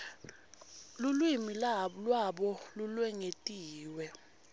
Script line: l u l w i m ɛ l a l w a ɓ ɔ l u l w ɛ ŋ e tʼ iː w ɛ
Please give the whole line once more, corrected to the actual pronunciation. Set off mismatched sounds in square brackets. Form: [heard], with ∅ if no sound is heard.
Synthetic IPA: l u l w i m [i] l a l w a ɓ ɔ l u l w ɛ ŋ e tʼ iː w ɛ